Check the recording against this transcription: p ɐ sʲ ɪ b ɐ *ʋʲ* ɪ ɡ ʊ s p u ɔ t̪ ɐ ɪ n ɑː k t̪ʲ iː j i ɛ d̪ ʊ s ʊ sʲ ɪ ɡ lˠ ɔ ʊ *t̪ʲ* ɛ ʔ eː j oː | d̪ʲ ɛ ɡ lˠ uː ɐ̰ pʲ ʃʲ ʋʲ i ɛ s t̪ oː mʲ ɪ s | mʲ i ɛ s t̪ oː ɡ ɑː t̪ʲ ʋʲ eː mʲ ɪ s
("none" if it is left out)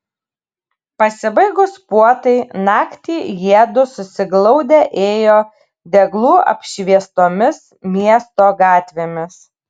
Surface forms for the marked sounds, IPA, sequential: none, d̪ʲ

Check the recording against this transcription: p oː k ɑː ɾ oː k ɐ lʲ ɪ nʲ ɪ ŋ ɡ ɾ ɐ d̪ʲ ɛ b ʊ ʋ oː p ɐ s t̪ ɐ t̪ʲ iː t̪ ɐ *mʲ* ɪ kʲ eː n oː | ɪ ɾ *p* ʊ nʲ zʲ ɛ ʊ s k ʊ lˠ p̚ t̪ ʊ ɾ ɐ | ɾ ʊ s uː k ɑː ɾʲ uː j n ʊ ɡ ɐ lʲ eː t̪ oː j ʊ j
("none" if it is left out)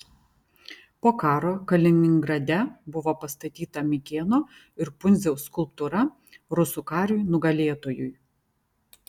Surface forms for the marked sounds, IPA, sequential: mʲ, p

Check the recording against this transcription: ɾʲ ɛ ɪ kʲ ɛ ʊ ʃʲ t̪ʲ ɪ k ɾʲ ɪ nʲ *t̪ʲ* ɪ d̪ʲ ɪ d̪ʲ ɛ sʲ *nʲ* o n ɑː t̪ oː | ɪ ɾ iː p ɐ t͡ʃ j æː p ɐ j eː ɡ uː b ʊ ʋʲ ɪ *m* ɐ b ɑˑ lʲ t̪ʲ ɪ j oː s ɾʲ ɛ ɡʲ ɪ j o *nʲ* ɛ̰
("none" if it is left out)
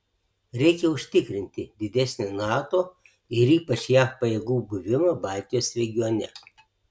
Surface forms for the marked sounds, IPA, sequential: t̪ʲ, nʲ, m, nʲ

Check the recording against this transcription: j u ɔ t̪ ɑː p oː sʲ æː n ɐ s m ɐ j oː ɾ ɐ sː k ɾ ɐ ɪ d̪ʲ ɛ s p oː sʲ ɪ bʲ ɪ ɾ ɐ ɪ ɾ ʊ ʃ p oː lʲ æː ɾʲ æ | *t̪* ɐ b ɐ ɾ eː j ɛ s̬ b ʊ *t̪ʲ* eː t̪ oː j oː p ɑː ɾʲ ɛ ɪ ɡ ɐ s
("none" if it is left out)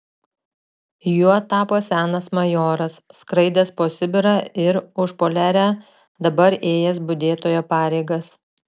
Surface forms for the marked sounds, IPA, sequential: d̪, d̪ʲ

